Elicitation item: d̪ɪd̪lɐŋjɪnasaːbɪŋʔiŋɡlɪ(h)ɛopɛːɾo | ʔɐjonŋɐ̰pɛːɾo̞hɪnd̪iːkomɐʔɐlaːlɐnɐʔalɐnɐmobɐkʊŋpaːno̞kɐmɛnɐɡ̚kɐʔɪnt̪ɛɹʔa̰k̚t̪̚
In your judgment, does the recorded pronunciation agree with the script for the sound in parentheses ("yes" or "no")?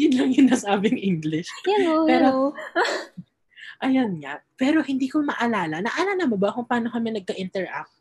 no